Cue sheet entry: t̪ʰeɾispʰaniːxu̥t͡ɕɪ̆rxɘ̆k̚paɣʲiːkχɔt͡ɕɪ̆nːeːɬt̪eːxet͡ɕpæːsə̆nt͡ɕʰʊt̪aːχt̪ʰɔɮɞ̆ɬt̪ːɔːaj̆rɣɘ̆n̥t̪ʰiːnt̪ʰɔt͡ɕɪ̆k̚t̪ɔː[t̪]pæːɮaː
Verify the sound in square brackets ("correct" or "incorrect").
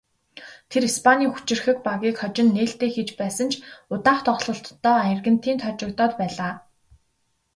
correct